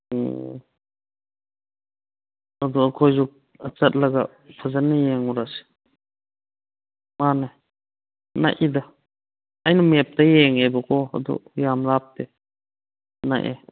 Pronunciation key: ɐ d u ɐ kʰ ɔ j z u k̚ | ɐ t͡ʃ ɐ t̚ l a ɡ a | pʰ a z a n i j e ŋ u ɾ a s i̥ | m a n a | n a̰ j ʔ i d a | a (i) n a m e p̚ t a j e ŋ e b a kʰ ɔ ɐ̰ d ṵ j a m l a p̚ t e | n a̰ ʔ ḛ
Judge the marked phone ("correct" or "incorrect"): incorrect